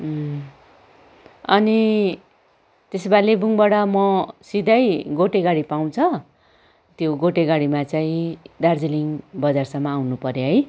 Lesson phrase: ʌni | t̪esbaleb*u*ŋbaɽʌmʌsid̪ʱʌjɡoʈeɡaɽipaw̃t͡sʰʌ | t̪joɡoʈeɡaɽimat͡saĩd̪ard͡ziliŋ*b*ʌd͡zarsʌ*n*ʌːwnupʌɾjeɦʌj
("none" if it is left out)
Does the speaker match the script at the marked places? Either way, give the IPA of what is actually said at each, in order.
u, b, m

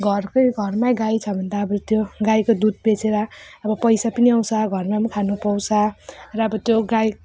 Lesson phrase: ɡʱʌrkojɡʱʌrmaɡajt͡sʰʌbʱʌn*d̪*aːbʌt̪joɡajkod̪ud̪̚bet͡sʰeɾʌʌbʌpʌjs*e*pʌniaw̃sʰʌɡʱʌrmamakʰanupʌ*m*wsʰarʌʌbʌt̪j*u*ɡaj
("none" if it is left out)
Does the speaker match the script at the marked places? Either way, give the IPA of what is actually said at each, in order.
d̪, a, none, o

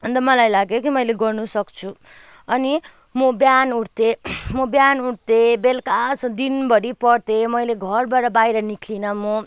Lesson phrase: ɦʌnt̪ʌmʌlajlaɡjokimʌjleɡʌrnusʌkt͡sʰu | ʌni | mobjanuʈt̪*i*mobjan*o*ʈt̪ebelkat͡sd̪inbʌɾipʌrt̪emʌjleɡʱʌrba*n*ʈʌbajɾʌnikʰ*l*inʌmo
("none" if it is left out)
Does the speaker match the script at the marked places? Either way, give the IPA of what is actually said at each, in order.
e, u, none, l

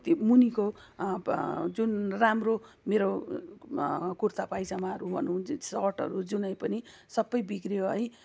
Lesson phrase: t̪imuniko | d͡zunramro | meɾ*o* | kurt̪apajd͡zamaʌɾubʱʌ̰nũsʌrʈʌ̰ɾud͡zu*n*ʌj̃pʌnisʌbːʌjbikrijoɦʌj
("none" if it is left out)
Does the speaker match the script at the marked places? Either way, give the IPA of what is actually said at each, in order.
o, n

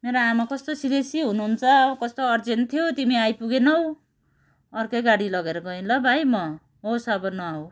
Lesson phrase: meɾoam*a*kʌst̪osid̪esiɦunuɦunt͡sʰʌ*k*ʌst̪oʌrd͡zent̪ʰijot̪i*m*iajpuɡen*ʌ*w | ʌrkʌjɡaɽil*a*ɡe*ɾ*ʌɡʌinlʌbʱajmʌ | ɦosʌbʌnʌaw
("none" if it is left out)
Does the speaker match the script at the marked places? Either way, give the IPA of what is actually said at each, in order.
a, k, m, ʌ, ʌ, ɾ

